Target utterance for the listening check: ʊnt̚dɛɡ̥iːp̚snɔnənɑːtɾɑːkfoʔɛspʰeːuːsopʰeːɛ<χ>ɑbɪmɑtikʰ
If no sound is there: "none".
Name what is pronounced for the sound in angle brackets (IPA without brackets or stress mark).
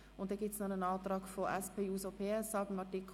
s